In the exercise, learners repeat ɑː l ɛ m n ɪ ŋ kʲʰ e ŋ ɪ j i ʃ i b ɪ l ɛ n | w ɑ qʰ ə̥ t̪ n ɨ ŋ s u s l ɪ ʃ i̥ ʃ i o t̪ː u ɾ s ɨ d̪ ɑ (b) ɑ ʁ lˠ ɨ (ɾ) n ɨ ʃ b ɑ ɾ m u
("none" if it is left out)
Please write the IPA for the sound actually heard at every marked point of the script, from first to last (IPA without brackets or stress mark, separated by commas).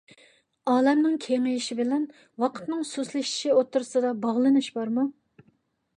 b, none